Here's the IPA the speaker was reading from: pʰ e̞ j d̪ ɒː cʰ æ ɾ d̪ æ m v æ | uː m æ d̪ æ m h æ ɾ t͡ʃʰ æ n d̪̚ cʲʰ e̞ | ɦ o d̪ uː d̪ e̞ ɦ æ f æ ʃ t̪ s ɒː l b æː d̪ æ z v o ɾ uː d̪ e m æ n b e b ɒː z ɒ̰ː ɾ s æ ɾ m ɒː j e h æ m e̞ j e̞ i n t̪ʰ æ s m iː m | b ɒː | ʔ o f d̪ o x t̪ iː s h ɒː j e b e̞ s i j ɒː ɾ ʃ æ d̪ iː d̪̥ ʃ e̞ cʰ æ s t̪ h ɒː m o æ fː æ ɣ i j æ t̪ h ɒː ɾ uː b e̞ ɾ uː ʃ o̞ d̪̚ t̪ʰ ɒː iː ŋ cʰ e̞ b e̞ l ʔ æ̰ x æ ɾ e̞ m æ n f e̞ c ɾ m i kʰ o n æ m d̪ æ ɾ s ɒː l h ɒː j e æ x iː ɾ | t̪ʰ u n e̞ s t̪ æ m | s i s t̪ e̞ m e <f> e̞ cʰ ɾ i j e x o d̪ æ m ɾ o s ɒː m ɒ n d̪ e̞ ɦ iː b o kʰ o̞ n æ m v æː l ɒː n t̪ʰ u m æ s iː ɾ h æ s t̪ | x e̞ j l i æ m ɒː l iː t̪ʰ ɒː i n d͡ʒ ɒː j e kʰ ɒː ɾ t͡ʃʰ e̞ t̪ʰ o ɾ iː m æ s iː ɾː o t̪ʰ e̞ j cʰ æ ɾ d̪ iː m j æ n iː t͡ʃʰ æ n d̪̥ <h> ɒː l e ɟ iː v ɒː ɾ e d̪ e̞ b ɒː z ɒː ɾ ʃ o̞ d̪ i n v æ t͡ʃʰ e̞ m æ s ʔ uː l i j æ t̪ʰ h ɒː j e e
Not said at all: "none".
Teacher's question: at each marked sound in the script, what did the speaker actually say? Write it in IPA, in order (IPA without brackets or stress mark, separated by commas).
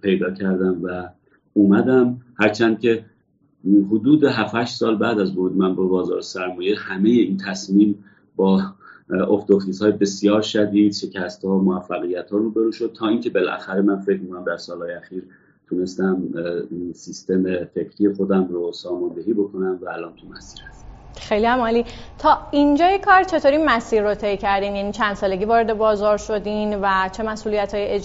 f, s